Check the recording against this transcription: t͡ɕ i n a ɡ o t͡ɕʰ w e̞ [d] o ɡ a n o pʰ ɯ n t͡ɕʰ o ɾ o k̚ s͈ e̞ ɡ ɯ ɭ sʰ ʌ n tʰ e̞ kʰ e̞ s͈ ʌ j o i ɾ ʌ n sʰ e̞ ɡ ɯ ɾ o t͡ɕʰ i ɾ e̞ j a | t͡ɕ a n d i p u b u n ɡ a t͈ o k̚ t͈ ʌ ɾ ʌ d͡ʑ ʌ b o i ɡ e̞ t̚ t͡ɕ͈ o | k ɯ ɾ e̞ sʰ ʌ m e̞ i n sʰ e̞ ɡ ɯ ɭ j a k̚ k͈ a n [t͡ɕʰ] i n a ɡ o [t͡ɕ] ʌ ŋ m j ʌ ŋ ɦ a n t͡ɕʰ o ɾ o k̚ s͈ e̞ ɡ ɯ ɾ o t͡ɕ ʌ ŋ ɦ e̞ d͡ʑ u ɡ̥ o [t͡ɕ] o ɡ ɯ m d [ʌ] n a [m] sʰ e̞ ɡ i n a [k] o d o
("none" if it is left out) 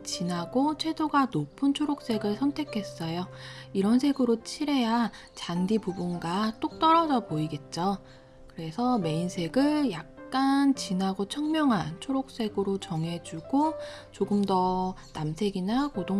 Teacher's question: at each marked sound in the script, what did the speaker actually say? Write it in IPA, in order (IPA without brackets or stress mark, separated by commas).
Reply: d, t͡ɕ, t͡ɕʰ, t͡ɕ, ʌ, m, k